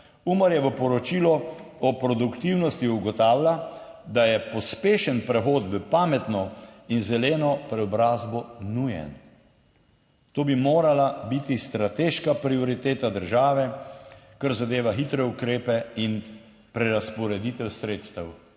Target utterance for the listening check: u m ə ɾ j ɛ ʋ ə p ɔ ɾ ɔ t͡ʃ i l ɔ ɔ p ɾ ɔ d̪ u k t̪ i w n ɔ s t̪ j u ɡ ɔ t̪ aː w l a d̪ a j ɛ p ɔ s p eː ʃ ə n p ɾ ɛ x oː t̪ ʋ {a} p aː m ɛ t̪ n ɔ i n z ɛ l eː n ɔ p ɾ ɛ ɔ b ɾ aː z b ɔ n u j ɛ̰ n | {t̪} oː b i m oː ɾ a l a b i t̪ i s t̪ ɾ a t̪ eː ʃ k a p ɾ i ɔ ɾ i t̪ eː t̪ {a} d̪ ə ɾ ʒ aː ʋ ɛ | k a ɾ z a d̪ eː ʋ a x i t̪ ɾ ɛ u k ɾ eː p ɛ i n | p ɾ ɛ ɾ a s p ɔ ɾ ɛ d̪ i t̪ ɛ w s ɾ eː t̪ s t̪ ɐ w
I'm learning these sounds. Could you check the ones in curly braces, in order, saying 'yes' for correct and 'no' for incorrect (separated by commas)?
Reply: no, yes, yes